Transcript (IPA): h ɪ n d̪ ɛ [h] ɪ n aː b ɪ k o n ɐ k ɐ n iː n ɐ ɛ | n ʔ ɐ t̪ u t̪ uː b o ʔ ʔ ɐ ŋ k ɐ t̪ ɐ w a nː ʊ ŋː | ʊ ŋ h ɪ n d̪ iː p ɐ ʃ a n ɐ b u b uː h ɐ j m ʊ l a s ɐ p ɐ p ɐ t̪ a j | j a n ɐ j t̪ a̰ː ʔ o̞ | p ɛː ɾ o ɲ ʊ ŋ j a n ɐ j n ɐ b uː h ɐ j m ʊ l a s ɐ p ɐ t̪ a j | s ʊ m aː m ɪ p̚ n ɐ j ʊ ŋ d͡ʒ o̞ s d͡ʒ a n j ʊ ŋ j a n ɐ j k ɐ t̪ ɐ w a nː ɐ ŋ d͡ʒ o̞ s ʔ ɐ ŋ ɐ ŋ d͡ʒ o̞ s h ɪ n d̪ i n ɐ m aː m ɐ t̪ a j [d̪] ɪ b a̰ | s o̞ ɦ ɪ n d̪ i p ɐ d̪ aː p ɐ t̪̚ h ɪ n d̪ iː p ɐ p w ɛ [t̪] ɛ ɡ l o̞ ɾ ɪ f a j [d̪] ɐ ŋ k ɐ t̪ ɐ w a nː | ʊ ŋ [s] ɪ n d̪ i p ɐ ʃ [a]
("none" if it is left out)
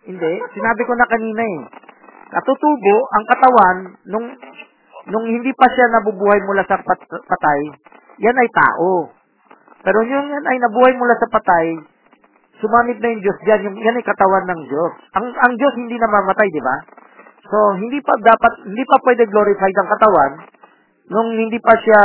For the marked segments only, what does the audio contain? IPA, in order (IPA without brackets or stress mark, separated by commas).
s, d̪, d̪, d̪, h, a